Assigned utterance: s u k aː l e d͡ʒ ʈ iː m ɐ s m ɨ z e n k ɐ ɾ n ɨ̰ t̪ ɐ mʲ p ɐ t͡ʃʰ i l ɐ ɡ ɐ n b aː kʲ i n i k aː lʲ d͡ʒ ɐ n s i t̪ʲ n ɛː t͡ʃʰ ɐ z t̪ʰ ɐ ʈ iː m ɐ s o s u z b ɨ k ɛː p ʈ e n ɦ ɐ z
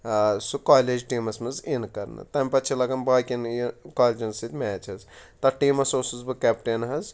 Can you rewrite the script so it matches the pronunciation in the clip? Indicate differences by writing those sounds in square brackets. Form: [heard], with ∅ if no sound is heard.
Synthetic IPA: s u k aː l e d͡ʒ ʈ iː m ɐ s m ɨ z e n k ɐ ɾ n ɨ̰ t̪ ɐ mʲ p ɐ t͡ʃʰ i l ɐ ɡ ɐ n b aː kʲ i n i k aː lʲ d͡ʒ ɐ n s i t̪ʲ [m] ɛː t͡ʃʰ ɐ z [t̪] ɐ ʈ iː m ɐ s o s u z b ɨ k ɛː p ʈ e n ɦ ɐ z